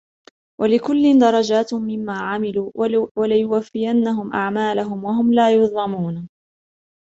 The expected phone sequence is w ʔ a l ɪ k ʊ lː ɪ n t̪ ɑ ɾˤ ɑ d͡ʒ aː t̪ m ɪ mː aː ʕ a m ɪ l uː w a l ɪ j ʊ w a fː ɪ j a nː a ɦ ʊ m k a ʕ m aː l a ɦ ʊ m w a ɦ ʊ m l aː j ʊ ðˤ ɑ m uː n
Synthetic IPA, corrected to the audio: w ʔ a l ɪ k ʊ lː ɪ n d̪ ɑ ɾˤ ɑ d͡ʒ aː t̪ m ɪ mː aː ʕ a m ɪ l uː w a l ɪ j ʊ w a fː ɪ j a nː a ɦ ʊ m ʔ a ʕ m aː l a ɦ ʊ m w a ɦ ʊ m l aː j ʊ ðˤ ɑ m uː n